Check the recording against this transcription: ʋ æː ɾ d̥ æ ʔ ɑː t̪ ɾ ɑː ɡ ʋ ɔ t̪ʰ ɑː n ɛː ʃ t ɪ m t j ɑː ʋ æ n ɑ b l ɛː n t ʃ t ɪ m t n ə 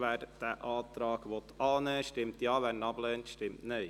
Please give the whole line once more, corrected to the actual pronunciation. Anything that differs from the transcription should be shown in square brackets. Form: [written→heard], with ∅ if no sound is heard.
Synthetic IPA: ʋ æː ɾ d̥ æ ʔ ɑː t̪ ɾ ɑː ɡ ʋ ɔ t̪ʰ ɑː n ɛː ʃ t ɪ m t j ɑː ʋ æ n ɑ b l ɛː n t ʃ t ɪ m t n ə